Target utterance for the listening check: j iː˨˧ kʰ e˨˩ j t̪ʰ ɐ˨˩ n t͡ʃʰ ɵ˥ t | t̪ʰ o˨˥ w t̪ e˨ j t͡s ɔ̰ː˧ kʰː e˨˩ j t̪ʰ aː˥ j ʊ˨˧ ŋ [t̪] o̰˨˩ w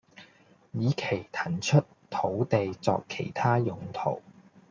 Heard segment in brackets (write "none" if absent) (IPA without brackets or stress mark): t̪ʰ